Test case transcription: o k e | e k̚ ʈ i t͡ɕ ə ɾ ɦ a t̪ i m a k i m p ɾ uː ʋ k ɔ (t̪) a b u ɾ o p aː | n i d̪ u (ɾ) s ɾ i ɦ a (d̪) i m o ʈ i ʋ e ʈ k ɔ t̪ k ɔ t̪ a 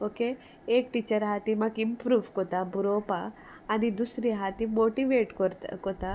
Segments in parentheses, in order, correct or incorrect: correct, incorrect: none, incorrect: t̪

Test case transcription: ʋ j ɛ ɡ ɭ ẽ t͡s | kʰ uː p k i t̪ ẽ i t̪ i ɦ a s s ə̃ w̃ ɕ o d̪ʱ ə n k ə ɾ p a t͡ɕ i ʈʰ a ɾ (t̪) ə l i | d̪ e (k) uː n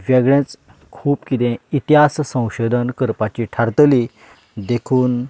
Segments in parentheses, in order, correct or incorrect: correct, incorrect: kʰ

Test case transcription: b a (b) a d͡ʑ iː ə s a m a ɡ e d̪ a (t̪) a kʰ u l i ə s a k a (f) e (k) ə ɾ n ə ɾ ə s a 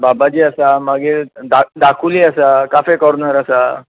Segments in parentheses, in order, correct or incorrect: correct, incorrect: d̪, correct, correct

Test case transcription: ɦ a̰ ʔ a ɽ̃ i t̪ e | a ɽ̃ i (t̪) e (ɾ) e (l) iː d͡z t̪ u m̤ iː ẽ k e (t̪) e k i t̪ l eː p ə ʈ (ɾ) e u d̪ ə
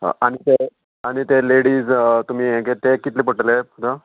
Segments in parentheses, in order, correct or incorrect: correct, incorrect: l, incorrect: ɽ, correct, incorrect: l

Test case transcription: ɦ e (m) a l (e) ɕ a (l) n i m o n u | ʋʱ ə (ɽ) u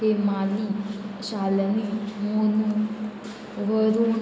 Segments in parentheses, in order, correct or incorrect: correct, incorrect: i, correct, incorrect: ɾ

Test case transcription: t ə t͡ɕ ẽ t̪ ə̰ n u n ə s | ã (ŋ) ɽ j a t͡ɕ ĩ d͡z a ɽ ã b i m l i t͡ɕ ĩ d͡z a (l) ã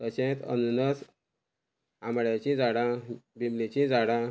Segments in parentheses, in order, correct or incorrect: incorrect: m, incorrect: ɽ

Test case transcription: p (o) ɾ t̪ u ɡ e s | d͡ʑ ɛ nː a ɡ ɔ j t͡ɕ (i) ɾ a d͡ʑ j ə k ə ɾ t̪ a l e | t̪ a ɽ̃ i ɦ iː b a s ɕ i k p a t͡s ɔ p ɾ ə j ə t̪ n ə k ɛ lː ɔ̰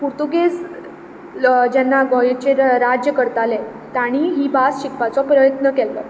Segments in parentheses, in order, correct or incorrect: incorrect: u, incorrect: e

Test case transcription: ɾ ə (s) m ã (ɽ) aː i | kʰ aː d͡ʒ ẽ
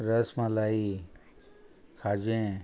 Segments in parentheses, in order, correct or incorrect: correct, incorrect: l

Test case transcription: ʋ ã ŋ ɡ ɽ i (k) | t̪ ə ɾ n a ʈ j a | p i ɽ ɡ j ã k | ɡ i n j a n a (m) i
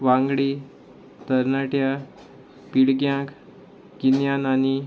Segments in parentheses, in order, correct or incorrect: incorrect: none, incorrect: n

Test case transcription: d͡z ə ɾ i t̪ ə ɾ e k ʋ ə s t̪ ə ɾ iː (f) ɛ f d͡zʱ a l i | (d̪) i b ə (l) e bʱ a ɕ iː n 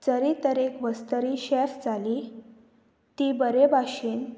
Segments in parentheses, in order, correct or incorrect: incorrect: ɕ, incorrect: t̪, incorrect: ɾ

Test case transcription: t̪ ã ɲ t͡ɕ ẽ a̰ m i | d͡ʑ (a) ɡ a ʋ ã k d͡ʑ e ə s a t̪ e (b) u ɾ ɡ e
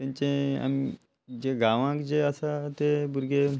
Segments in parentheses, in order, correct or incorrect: incorrect: e, correct

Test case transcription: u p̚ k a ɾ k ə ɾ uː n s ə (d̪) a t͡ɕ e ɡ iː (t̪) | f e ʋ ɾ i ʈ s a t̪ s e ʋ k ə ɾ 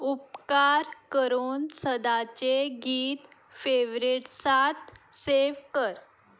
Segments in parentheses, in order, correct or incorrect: correct, correct

